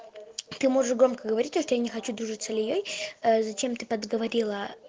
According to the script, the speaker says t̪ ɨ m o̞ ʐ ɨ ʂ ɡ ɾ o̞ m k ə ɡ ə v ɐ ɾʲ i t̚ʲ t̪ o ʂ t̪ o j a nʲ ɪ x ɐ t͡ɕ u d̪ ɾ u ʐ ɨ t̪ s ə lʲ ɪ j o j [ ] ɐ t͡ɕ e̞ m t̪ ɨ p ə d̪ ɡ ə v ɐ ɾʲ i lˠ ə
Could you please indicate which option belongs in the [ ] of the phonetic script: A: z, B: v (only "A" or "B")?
A